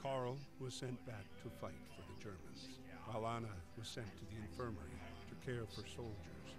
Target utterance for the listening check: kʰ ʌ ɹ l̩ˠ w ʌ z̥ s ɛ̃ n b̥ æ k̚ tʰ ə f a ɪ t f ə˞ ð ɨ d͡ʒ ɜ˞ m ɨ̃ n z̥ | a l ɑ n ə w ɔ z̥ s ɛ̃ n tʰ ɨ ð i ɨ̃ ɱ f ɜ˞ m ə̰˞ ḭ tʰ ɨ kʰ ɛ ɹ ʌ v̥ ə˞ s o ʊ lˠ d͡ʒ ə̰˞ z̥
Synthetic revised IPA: kʰ ɑ ɹ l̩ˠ w ʌ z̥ s ɛ̃ n b̥ æ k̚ tʰ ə f a ɪ t f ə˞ ð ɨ d͡ʒ ɜ˞ m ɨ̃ n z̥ | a l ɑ n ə w ʌ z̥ s ɛ̃ n tʰ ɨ ð i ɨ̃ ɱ f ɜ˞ m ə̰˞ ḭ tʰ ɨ kʰ ɛ ɹ ʌ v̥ ə˞ s o ʊ lˠ d͡ʒ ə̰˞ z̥